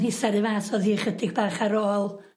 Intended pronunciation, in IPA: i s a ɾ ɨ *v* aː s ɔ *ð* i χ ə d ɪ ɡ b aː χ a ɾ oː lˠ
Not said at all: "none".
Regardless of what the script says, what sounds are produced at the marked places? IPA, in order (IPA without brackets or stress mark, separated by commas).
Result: v, ð